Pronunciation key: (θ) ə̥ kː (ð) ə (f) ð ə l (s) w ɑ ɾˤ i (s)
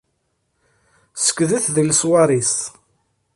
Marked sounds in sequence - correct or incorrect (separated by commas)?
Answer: incorrect, correct, incorrect, correct, correct